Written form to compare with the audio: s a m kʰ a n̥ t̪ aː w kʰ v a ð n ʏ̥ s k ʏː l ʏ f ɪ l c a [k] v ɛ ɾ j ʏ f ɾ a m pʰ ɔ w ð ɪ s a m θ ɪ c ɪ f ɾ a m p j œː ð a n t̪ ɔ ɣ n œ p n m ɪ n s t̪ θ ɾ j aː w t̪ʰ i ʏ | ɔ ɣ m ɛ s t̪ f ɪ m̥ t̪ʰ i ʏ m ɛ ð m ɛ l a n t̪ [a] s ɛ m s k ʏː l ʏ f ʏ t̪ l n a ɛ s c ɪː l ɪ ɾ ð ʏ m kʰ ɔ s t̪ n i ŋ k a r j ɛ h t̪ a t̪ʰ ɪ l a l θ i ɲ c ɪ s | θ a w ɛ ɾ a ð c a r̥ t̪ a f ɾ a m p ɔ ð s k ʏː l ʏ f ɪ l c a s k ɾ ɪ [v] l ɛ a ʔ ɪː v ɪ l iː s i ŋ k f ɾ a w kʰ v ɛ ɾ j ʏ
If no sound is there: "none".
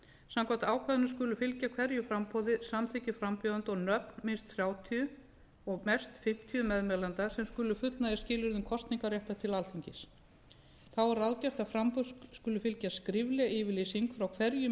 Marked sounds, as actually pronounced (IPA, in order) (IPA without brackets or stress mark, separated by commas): kʰ, a, v